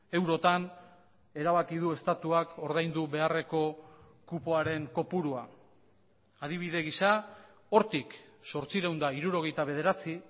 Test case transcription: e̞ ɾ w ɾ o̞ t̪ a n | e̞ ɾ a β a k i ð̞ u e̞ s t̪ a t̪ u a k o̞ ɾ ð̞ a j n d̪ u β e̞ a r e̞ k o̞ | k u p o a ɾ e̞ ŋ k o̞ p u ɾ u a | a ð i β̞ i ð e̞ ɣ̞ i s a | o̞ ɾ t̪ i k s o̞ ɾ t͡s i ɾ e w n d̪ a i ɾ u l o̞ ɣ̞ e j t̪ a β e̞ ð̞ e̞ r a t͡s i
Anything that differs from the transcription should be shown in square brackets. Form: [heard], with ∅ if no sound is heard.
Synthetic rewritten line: e̞ [∅] w ɾ o̞ t̪ a n | e̞ ɾ a β a k i ð̞ u e̞ s t̪ a t̪ u a k o̞ ɾ ð̞ a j n d̪ u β e̞ a r e̞ k o̞ | k u p o a ɾ e̞ ŋ k o̞ p u ɾ u a | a ð i β̞ i ð e̞ ɣ̞ i s a | o̞ ɾ t̪ i k s o̞ ɾ t͡s i ɾ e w n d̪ a i ɾ u [ɾ] o̞ ɣ̞ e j t̪ a β e̞ ð̞ e̞ [ɾ] a t͡s i